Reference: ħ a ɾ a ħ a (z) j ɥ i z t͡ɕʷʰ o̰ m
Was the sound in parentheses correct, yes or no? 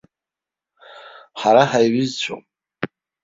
no